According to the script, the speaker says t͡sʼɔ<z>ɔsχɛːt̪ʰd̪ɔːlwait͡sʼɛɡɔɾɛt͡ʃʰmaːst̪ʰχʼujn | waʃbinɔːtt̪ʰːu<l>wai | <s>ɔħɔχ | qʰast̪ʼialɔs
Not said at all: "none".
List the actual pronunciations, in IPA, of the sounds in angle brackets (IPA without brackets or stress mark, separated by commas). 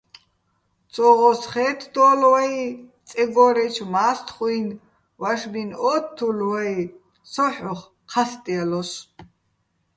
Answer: ʁ, l, s